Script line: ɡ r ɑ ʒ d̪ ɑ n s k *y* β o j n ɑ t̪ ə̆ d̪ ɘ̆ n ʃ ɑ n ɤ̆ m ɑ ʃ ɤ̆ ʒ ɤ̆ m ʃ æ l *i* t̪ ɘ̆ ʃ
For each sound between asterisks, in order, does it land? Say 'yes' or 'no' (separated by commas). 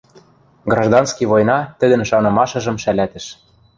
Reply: no, no